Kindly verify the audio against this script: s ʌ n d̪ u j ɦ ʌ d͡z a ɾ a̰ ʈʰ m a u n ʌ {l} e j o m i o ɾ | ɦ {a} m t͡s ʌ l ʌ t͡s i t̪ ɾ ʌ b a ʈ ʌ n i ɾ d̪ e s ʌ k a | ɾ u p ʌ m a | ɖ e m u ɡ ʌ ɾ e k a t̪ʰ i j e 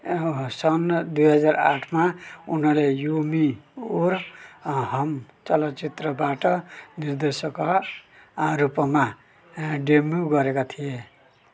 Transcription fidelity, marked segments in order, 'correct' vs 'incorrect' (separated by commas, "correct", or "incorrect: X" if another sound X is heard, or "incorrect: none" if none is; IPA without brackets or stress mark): correct, incorrect: ʌ